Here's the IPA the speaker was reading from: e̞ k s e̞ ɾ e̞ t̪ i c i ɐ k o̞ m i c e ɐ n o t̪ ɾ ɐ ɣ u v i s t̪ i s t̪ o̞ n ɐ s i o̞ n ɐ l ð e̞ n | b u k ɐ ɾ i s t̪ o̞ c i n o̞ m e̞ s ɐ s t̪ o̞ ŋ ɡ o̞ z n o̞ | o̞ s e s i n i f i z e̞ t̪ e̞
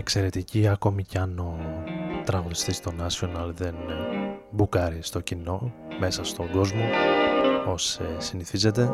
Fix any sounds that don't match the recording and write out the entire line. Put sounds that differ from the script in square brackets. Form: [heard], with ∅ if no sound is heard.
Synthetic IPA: e̞ k s e̞ ɾ e̞ t̪ i c i ɐ k o̞ m i c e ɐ n o t̪ ɾ ɐ ɣ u [ð] i s t̪ i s t̪ o̞ n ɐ s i o̞ n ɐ l ð e̞ n | b u k ɐ ɾ i s t̪ o̞ c i n o̞ m e̞ s ɐ s t̪ o̞ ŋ ɡ o̞ z [m] o̞ | o̞ s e s i n i [θ] i z e̞ t̪ e̞